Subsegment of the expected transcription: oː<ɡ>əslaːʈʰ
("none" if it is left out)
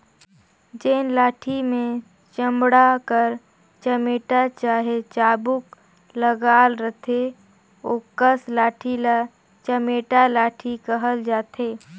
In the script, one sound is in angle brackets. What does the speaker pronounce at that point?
k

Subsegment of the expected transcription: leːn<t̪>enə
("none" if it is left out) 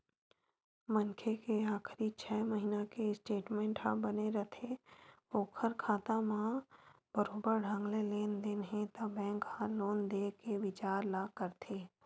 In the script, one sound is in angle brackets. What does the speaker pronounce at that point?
d̪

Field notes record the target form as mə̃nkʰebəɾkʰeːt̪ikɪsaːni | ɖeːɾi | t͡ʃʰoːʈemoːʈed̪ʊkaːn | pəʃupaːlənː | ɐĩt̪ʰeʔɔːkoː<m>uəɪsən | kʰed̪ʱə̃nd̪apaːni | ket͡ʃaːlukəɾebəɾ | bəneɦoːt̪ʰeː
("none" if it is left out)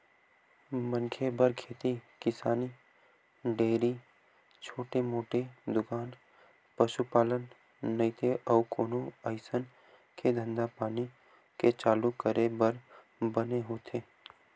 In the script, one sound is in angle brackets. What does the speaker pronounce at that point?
n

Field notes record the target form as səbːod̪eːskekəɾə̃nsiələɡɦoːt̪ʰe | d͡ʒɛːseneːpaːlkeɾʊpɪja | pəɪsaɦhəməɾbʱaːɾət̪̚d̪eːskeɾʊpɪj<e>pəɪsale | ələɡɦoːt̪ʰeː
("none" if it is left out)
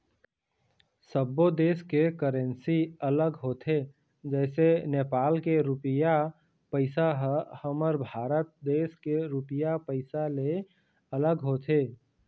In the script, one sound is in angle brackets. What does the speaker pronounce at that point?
a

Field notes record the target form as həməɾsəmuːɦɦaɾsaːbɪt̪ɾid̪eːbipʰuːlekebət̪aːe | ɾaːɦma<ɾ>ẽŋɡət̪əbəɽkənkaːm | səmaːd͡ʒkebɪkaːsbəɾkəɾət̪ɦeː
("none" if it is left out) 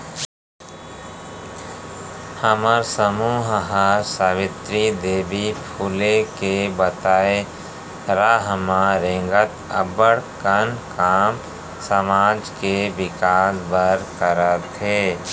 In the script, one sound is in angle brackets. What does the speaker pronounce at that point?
ɾ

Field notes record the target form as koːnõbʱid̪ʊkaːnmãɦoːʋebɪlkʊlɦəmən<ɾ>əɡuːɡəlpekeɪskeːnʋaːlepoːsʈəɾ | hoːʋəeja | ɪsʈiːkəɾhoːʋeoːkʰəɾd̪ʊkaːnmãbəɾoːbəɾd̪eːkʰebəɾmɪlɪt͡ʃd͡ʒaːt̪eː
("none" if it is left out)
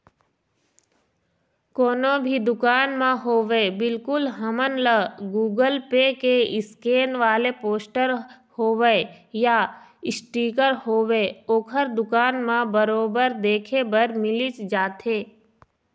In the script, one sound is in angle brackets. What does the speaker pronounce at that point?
l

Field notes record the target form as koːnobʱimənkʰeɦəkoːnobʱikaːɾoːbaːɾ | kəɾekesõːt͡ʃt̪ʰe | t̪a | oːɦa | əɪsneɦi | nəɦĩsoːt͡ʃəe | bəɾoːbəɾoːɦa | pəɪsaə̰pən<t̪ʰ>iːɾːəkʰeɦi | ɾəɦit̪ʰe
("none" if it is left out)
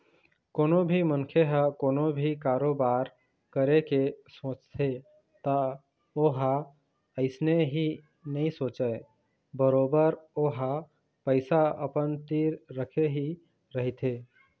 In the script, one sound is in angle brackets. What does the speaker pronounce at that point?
t̪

